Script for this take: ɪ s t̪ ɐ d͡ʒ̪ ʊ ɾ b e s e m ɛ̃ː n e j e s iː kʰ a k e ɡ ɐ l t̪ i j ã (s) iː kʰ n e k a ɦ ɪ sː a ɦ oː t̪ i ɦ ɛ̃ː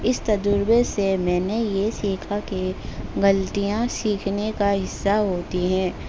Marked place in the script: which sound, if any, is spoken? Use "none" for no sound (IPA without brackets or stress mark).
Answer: s